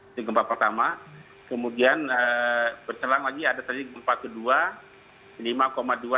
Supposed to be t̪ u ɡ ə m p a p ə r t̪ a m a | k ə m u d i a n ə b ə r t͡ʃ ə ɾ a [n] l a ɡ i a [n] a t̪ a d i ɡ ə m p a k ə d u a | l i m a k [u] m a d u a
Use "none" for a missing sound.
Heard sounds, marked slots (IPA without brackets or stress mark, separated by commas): ŋ, d, o